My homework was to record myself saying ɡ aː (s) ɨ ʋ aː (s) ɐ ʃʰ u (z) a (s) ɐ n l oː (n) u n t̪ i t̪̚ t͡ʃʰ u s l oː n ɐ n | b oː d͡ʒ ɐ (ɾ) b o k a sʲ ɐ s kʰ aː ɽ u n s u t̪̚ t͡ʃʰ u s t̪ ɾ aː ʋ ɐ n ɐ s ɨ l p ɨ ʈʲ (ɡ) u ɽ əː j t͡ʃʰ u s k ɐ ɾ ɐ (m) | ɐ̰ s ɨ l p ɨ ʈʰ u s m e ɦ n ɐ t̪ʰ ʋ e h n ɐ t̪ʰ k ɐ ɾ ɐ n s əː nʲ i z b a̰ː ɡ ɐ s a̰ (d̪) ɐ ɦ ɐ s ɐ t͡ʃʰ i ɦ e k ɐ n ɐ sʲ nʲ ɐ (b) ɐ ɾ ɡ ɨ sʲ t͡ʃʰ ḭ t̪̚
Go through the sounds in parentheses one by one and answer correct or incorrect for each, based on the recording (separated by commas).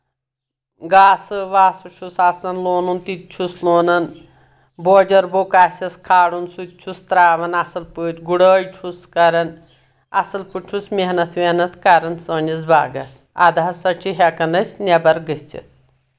correct, correct, incorrect, correct, correct, correct, correct, incorrect, correct, correct